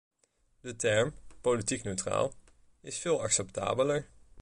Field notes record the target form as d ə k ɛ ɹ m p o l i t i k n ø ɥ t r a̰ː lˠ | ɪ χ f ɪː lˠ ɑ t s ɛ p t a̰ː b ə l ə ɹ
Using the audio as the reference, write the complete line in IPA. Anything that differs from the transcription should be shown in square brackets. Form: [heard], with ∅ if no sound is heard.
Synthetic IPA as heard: d ə [t] ɛ ɹ m p o l i t i k n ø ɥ t r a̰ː lˠ | ɪ [s] f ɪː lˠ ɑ [k] s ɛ p t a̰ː b ə l ə ɹ